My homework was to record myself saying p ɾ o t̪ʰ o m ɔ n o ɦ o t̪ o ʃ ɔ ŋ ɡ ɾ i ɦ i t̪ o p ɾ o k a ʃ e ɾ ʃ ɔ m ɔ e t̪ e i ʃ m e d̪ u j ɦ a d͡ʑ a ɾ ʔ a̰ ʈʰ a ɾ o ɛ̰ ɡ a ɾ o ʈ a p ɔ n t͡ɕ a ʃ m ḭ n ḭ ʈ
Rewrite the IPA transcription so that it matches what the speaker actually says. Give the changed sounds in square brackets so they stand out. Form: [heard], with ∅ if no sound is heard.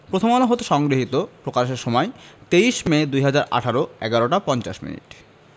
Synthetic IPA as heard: p ɾ o t̪ʰ o m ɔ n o ɦ o t̪ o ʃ ɔ ŋ ɡ ɾ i ɦ i t̪ o p ɾ o k a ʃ e ɾ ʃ ɔ m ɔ e t̪ e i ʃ m e d̪ u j ɦ a d͡ʑ a ɾ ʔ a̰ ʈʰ a ɾ o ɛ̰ ɡ a ɾ o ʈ a p ɔ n t͡ɕ a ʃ m ḭ n ḭ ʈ